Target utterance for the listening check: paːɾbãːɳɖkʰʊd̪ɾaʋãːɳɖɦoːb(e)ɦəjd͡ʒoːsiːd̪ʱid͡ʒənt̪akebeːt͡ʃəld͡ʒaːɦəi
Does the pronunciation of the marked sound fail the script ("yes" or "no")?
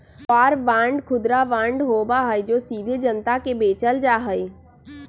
yes